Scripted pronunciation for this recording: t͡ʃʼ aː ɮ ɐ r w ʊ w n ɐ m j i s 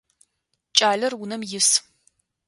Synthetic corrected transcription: t͡ʃʼ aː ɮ ɐ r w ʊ n ɐ m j ɪ s

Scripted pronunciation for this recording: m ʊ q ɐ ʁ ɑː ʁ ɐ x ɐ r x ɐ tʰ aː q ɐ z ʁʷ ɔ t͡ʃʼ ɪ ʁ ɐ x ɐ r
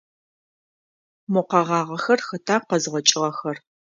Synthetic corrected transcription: m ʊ q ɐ ʁ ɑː ʁ ɐ x ɐ r x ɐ tʰ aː q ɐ z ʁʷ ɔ t͡ʃʼ ɪ ʁ ɐ x ɐ r

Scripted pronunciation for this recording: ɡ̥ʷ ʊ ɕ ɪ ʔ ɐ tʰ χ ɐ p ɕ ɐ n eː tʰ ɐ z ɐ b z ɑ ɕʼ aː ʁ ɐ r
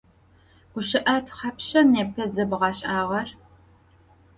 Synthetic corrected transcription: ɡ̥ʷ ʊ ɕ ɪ ʔ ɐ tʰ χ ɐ p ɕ ɐ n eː pʰ ɐ z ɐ b ʁ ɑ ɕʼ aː ʁ ɐ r

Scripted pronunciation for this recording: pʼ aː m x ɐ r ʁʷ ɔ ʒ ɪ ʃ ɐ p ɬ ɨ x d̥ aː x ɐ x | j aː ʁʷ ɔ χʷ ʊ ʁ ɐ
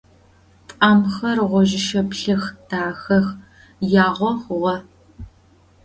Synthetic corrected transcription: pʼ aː m x ɐ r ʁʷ ɔ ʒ ɪ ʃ ɐ p ɬ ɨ x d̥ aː x ɐ x | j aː ʁʷ ɔ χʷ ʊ ʁ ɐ

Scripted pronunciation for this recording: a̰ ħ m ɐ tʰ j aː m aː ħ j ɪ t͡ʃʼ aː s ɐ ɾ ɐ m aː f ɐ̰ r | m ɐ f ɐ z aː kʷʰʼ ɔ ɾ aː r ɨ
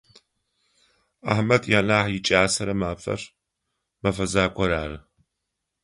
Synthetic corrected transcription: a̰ ħ m ɐ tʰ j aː n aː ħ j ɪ t͡ʃʼ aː s ɐ ɾ ɐ m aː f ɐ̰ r | m ɐ f ɐ z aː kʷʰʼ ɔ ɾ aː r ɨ

